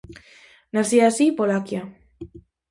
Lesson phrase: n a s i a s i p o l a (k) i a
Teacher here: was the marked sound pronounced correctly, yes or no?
yes